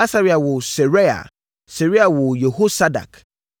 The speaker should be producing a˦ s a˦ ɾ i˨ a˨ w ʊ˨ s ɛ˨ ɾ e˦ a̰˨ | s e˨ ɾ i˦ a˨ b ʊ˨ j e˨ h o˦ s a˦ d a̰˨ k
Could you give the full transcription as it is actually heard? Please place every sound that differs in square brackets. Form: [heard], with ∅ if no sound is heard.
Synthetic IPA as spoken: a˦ s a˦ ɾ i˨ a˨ w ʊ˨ s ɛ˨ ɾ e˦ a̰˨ | s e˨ ɾ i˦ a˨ [w] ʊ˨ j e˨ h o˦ s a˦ d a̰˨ k